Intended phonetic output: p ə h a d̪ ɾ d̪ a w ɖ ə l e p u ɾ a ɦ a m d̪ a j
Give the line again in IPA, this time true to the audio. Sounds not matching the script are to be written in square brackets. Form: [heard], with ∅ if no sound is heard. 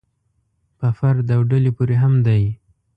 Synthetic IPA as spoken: p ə [f] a [∅] ɾ d̪ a w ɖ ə l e p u ɾ [e] ɦ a m d̪ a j